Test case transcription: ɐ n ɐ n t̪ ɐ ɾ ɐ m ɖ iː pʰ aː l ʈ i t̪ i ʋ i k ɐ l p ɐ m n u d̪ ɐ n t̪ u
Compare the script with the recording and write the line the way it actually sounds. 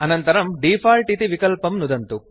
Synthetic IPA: ɐ n ɐ n t̪ ɐ ɾ ɐ m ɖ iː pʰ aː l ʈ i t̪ i ʋ i k ɐ l p ɐ m n u d̪ ɐ n t̪ u